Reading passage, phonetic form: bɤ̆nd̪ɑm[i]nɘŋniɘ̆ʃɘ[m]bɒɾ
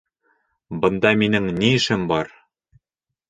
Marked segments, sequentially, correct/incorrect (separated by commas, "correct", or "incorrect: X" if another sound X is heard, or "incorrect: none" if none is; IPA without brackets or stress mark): correct, correct